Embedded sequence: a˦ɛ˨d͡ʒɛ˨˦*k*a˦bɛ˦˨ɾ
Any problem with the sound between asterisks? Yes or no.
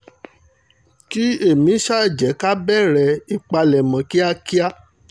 no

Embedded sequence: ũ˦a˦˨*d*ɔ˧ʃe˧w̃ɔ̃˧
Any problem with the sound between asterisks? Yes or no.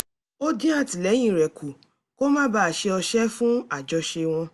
yes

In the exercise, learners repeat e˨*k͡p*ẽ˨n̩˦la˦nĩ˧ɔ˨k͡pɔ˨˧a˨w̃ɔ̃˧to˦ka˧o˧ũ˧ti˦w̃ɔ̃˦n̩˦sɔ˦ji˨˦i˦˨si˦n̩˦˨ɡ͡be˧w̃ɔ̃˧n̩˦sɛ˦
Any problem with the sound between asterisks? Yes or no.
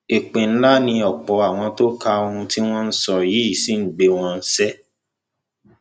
no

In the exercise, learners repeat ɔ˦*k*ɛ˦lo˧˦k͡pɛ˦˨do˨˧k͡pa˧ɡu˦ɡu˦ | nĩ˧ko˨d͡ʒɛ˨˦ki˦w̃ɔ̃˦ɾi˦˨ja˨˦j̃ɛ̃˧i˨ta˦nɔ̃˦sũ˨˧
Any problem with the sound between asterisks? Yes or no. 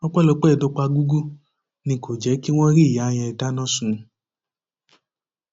yes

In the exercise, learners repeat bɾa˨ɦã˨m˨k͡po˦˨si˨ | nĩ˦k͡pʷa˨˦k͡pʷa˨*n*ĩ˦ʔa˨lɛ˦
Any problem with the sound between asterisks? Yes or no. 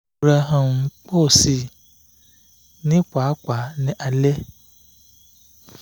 no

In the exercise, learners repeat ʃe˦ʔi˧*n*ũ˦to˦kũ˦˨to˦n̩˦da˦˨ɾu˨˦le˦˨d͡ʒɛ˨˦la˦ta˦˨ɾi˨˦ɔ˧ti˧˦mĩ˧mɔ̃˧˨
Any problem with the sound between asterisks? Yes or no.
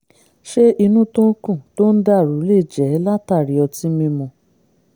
no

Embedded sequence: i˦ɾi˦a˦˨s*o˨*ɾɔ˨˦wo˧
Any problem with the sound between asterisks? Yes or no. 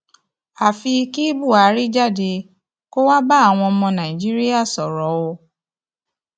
yes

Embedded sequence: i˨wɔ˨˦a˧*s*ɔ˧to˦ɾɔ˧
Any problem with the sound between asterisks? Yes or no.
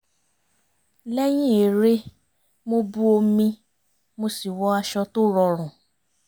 yes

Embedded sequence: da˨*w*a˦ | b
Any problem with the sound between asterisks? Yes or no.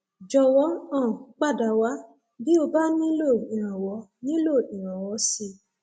no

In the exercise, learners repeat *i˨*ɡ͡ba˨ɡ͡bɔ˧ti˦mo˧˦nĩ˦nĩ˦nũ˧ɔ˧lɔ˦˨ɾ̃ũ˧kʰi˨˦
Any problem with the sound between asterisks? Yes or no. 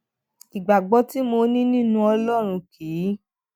no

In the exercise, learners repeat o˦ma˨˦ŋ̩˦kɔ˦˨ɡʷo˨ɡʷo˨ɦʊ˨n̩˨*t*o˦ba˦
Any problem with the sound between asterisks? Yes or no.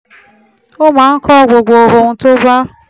no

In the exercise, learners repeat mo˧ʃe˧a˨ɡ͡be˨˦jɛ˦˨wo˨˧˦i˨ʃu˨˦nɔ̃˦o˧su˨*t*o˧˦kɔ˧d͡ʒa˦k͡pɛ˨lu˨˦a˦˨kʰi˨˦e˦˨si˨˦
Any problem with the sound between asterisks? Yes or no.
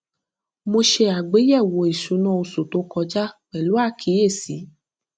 no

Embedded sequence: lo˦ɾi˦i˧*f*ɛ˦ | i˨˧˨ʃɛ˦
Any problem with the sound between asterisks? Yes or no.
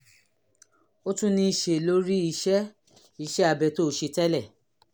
yes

